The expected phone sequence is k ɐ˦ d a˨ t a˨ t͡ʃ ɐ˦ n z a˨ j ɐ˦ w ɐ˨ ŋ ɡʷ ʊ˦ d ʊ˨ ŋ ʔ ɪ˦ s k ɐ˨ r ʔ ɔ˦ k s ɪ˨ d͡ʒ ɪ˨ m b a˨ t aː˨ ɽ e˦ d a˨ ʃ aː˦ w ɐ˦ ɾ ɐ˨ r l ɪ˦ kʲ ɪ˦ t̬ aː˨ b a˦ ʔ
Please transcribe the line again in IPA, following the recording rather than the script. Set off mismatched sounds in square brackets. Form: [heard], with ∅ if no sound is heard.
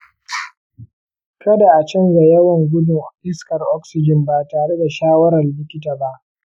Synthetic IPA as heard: k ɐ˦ d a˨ [ʔ] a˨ t͡ʃ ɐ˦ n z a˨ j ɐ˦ w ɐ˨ ŋ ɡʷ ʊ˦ d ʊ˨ ŋ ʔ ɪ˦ s k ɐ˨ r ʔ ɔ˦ k s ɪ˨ d͡ʒ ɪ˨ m b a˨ t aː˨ ɽ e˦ d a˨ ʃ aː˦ w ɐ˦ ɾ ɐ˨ r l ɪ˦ kʲ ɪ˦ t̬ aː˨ b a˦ ʔ